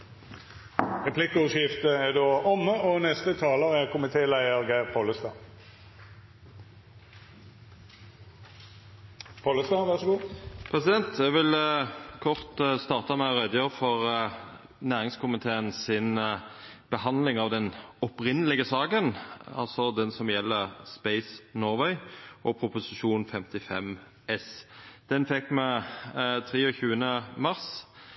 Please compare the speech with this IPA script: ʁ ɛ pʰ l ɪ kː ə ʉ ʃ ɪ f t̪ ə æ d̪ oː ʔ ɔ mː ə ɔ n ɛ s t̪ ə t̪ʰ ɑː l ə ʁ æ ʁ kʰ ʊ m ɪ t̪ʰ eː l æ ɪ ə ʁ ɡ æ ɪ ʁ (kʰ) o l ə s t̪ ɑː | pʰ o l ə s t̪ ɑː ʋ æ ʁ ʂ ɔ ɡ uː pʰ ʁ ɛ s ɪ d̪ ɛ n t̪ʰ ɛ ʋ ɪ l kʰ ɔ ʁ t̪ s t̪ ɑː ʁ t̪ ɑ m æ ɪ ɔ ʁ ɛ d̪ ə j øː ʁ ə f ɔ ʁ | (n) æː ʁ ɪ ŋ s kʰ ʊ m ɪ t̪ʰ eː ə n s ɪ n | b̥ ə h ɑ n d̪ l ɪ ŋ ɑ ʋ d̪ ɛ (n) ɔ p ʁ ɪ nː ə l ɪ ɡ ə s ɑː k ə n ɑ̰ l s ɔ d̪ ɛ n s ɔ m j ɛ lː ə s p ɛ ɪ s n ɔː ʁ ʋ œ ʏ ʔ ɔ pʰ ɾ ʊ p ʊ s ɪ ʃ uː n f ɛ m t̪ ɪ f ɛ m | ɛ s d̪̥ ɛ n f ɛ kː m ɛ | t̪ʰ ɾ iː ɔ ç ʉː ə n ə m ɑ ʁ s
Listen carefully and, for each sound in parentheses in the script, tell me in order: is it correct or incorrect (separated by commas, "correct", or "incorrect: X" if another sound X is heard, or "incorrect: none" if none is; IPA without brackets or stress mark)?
incorrect: pʰ, correct, correct